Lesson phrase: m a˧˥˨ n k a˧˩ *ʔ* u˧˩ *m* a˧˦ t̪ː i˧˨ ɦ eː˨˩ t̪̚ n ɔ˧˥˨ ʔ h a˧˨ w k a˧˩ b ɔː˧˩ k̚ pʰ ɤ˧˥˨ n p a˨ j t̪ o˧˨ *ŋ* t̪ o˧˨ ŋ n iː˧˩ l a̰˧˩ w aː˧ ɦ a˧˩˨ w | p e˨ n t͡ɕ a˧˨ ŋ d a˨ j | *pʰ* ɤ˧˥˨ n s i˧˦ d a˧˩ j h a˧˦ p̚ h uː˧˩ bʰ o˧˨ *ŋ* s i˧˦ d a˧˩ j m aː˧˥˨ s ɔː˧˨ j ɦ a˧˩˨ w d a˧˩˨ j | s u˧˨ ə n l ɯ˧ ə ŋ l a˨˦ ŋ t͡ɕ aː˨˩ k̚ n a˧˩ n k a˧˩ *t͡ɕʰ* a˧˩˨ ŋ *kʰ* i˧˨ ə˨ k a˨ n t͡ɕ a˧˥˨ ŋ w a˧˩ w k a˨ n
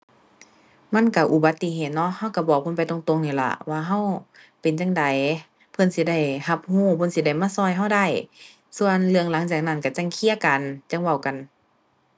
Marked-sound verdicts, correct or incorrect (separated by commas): correct, incorrect, correct, correct, incorrect, incorrect, correct